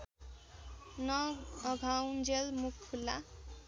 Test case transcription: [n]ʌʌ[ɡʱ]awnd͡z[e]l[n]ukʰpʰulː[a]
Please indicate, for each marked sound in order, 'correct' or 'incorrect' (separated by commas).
correct, correct, correct, incorrect, correct